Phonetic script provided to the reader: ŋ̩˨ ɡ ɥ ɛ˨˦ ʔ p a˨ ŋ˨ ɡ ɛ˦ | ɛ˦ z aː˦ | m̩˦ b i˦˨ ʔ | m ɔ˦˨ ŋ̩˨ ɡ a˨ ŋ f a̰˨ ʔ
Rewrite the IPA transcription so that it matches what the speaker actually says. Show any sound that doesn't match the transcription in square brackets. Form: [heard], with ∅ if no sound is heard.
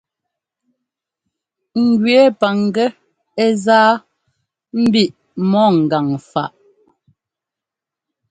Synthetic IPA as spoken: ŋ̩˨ ɡ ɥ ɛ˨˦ [∅] p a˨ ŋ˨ ɡ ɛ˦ | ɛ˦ z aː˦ | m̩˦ b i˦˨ ʔ | m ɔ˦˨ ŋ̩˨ ɡ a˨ ŋ f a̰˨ ʔ

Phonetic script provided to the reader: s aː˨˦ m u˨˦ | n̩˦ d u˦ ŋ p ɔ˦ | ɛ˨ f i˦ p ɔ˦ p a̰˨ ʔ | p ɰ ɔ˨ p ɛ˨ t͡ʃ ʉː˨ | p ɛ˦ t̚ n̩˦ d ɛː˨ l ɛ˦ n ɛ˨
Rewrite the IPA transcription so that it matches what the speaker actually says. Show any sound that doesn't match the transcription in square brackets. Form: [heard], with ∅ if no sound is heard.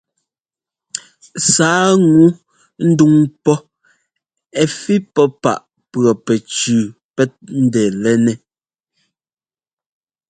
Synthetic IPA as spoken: s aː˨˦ [ŋ] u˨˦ | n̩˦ d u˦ ŋ p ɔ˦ | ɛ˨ f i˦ p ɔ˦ p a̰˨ ʔ | p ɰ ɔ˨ p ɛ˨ t͡ʃ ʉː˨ | p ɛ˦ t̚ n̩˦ d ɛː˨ l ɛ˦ n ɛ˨

